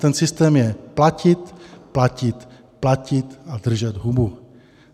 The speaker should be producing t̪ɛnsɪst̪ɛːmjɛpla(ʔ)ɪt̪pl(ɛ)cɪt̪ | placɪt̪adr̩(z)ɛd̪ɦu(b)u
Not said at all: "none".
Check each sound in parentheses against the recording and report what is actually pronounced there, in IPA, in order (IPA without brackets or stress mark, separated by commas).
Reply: c, a, ʒ, b